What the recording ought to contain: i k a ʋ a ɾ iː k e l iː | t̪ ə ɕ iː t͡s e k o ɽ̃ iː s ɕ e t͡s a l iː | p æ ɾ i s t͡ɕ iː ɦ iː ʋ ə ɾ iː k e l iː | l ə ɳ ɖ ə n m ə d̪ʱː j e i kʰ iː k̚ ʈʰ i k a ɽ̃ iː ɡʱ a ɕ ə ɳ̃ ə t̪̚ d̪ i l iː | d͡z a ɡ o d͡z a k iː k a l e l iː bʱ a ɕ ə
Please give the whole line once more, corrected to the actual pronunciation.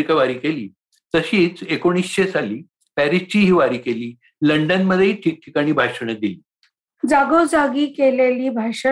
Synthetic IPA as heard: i k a ʋ a ɾ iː k e l iː | t̪ ə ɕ iː t͡s e k o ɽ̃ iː s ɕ e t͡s a l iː | p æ ɾ i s t͡ɕ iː ɦ iː ʋ a ɾ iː k e l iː | l ə ɳ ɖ ə n m ə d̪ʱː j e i ʈʰ iː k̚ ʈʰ i k a ɽ̃ iː bʱ a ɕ ə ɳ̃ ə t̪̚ d̪ i l iː | d͡z a ɡ o d͡z a ɡ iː k e l e l iː bʱ a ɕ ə